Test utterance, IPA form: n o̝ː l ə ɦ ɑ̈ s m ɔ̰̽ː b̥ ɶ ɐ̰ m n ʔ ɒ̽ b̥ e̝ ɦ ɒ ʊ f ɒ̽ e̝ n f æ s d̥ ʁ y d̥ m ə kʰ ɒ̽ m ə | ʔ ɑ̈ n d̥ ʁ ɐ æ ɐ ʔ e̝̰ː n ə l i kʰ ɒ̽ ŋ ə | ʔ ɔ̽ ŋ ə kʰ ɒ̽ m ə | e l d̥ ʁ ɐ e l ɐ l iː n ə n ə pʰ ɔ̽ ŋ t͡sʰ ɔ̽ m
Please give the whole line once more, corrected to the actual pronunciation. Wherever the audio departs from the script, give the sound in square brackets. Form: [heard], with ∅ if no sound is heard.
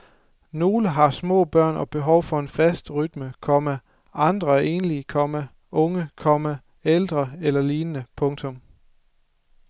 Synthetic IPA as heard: n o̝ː l ə ɦ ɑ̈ s m ɔ̰̽ː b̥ ɶ ɐ̰ [∅] n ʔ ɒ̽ b̥ e̝ ɦ ɒ ʊ f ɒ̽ e̝ n f æ s d̥ ʁ y d̥ m ə kʰ ɒ̽ m ə | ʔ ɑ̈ n d̥ ʁ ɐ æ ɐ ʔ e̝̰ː n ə l i kʰ ɒ̽ [m] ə | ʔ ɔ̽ ŋ ə kʰ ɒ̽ m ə | e l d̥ ʁ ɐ e l ɐ l iː n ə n ə pʰ ɔ̽ ŋ t͡sʰ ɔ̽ m